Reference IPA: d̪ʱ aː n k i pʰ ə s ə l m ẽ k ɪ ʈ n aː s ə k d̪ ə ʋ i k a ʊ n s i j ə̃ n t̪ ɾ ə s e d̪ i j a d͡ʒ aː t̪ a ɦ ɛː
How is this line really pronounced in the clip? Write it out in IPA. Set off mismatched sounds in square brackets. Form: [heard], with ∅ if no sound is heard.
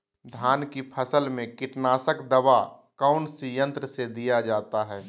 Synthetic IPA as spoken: d̪ʱ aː n k i pʰ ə s ə l m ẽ k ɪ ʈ n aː s ə k d̪ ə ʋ [a] k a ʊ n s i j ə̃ n t̪ ɾ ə s e d̪ i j a d͡ʒ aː t̪ a ɦ ɛː